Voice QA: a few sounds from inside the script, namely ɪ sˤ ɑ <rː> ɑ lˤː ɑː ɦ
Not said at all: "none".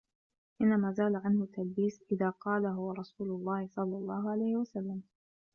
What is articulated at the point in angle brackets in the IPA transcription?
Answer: lː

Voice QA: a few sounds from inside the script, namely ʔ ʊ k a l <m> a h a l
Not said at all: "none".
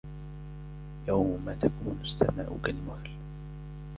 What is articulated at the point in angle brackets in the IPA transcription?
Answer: m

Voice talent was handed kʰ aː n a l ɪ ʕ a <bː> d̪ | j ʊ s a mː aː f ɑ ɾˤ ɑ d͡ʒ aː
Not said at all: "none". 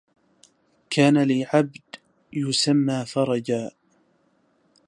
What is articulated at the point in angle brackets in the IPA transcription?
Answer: b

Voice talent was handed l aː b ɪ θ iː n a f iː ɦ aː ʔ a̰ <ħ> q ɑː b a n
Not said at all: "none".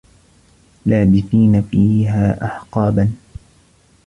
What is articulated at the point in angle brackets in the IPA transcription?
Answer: ħ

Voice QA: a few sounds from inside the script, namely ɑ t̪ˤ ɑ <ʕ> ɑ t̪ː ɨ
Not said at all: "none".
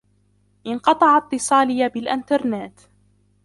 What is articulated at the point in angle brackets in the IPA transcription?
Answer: ʕ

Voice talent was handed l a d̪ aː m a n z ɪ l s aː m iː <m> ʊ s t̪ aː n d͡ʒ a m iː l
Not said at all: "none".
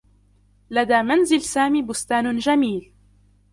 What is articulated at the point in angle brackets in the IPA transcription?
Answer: b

